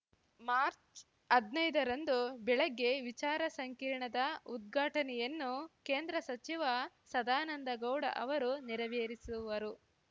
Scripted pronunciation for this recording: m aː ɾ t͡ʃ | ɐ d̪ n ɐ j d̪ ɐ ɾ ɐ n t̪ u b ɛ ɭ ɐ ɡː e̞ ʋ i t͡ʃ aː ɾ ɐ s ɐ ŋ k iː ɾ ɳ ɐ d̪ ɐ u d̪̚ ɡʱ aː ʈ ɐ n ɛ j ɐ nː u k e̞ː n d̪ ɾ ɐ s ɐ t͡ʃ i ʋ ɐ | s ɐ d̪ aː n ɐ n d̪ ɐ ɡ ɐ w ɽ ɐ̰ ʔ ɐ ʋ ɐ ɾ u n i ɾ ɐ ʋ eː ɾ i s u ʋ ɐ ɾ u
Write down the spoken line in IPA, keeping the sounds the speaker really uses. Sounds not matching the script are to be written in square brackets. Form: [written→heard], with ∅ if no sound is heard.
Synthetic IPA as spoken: m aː ɾ t͡ʃ | ɐ d̪ n ɐ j d̪ ɐ ɾ ɐ n [t̪→d̪] u b ɛ ɭ ɐ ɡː e̞ ʋ i t͡ʃ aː ɾ ɐ s ɐ ŋ k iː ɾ ɳ ɐ d̪ ɐ u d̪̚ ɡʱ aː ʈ ɐ n ɛ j ɐ nː u k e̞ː n d̪ ɾ ɐ s ɐ t͡ʃ i ʋ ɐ | s ɐ d̪ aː n ɐ n d̪ ɐ ɡ ɐ w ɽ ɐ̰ ʔ ɐ ʋ ɐ ɾ u n i ɾ ɐ ʋ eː ɾ i s u ʋ ɐ ɾ u